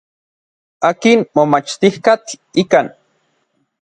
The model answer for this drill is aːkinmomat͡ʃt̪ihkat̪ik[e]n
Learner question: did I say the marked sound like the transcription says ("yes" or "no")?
no